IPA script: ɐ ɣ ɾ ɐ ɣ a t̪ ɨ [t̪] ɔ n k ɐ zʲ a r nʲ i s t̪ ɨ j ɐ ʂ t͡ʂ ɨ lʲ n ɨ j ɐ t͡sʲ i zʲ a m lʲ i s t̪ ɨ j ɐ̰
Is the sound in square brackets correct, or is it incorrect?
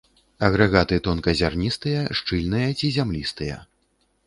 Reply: correct